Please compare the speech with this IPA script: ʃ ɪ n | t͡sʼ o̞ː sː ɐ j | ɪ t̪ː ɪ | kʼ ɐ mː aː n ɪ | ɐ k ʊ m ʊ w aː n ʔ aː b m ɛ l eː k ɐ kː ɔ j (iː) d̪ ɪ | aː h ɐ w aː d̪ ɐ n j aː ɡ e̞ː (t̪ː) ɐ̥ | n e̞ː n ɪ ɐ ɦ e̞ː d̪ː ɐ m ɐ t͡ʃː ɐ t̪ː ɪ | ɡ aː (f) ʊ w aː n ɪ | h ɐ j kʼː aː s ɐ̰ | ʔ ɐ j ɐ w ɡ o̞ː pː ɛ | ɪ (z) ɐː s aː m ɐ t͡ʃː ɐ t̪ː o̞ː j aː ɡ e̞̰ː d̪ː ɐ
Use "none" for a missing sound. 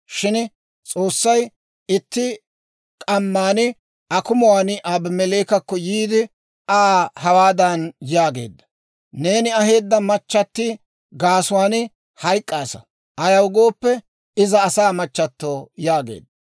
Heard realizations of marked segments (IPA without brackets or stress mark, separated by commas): iː, d̪ː, s, z